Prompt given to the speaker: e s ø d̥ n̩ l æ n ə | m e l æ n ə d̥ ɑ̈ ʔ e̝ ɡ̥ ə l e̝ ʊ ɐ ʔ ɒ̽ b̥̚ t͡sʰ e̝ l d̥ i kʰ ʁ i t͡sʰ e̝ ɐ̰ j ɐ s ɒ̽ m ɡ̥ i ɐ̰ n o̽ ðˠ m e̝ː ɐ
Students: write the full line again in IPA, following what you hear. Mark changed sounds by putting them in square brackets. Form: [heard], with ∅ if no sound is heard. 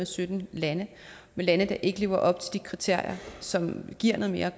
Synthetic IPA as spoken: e s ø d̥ n̩ l æ n ə | m e l æ n ə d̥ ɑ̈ ʔ e̝ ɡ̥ ə l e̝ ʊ ɐ ʔ ɒ̽ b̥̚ t͡sʰ e̝ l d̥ i kʰ ʁ i t͡sʰ e̝ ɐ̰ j ɐ s ɒ̽ m ɡ̥ i ɐ̰ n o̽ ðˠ m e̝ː ɐ